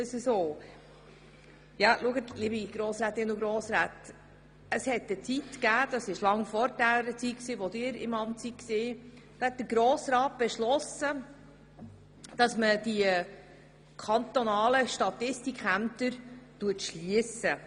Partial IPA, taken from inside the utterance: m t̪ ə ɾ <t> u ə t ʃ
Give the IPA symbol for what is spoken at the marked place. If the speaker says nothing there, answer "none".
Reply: t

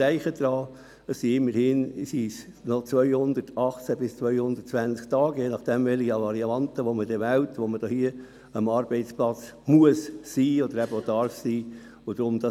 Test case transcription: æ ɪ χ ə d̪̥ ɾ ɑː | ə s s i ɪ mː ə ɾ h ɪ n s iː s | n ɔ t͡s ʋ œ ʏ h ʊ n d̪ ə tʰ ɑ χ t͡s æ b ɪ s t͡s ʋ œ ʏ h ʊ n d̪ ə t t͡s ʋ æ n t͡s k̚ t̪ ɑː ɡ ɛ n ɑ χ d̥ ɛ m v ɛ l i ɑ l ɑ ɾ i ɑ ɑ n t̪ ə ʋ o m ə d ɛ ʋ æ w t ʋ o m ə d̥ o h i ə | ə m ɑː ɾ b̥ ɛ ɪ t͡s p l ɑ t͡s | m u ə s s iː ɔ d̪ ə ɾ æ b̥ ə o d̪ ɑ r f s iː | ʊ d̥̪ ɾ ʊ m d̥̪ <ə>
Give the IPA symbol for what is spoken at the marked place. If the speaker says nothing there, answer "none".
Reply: ɑ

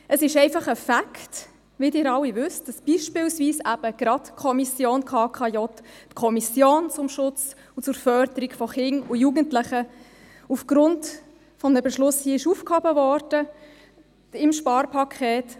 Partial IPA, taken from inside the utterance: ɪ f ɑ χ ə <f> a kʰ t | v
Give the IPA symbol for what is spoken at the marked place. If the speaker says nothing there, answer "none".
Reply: f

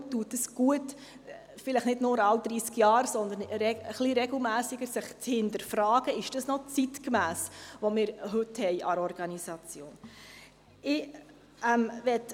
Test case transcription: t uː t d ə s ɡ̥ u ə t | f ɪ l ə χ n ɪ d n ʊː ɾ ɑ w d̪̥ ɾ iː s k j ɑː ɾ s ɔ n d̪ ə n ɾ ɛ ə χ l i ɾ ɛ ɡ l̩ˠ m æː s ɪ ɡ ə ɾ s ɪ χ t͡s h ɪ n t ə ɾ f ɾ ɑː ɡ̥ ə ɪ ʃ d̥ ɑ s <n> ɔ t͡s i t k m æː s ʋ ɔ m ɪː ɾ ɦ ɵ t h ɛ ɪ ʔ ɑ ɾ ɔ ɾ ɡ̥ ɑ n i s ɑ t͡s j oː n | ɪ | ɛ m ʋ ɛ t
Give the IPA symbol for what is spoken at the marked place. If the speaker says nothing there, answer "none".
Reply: n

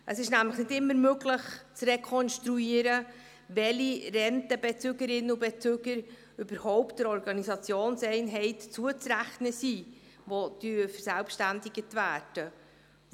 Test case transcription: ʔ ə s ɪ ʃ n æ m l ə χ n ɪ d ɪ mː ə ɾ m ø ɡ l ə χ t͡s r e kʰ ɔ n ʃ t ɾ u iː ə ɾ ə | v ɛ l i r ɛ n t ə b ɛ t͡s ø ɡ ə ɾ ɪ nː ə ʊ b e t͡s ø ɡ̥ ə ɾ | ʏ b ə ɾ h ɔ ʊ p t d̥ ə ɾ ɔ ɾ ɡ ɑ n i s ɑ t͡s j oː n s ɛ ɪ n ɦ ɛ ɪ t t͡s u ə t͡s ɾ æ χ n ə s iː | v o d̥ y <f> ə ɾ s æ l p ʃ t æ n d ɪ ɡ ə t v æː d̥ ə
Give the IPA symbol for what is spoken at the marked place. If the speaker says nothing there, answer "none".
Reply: f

